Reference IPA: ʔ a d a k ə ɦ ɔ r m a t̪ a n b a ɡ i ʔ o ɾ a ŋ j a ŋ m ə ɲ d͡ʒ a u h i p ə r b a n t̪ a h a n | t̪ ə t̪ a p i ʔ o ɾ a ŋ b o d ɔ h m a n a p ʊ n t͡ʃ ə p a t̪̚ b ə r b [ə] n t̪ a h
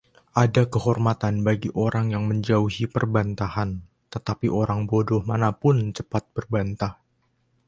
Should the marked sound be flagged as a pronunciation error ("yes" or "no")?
yes